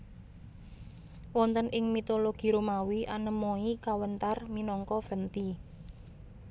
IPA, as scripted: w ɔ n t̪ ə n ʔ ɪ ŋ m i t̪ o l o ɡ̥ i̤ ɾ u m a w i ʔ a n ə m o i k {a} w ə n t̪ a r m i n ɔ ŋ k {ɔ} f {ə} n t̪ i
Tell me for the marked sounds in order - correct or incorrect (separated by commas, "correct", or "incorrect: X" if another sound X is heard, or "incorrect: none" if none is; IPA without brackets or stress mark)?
correct, correct, correct